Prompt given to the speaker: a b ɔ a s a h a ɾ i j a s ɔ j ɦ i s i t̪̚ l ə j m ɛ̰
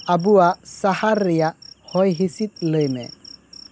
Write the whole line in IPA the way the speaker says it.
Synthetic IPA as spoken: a b u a s a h a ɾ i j a h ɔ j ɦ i s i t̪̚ l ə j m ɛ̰